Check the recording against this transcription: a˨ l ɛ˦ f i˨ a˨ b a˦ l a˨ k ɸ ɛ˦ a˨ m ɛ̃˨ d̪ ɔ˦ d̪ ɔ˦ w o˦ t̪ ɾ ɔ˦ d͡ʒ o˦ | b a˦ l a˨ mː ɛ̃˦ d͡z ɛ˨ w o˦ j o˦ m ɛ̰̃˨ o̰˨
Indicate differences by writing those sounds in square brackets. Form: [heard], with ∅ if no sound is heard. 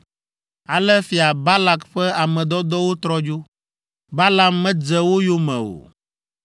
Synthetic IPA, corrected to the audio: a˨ l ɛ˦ f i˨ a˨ b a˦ l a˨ k ɸ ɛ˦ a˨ m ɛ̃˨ d̪ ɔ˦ d̪ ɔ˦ w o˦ t̪ ɾ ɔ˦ d͡ʒ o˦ | b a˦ l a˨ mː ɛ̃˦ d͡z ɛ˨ w o˦ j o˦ m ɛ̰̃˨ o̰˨